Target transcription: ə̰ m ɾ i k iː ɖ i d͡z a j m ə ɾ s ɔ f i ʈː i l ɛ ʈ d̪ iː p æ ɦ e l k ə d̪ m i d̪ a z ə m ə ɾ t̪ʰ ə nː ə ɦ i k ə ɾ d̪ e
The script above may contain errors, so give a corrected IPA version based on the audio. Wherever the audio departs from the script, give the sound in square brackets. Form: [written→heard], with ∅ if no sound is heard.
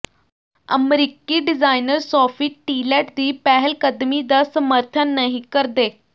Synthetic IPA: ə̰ m ɾ i k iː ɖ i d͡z a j [m→n] ə ɾ s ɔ f i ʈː i l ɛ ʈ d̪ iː p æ ɦ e l k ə d̪ m i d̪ a [z→s] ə m ə ɾ t̪ʰ ə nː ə ɦ i k ə ɾ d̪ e